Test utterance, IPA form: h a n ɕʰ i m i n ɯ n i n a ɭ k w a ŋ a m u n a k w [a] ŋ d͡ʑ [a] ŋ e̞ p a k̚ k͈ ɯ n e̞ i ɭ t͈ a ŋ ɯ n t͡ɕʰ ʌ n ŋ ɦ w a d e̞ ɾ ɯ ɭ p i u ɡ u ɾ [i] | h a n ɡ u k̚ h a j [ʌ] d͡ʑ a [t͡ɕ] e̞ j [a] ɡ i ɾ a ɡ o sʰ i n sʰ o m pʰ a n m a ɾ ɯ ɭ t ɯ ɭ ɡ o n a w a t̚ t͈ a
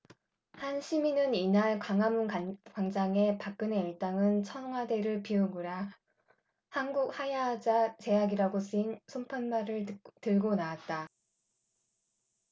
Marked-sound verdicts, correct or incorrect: correct, correct, incorrect: a, incorrect: a, correct, correct

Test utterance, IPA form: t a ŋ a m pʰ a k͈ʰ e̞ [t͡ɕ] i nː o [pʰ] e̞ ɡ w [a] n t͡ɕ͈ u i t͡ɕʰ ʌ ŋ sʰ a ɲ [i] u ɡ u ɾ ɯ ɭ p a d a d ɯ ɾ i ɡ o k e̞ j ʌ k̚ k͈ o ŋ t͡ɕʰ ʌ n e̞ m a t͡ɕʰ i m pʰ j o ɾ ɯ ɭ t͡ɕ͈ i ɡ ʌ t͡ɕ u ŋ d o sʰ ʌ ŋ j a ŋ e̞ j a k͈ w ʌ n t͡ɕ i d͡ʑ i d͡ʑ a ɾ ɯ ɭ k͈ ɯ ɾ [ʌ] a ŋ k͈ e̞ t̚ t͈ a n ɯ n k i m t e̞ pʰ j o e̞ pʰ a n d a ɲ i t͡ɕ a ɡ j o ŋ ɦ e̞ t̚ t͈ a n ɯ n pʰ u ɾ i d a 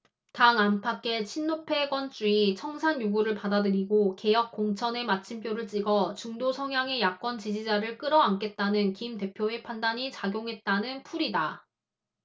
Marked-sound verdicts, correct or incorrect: incorrect: t͡ɕʰ, correct, incorrect: ʌ, incorrect: j, correct

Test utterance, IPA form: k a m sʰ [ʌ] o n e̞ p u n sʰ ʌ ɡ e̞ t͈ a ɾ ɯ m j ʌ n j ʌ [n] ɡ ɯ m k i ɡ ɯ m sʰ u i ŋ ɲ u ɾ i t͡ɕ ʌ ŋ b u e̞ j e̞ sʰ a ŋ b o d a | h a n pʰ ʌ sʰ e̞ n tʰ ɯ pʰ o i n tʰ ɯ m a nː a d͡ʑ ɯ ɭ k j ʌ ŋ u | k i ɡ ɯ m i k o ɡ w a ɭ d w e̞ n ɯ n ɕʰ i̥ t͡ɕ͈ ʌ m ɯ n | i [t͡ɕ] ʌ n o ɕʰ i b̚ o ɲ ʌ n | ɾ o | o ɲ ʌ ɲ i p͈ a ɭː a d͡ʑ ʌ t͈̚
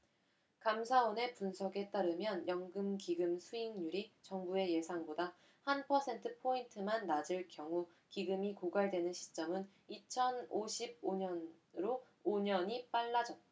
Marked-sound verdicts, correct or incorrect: incorrect: a, incorrect: ŋ, incorrect: t͡ɕʰ

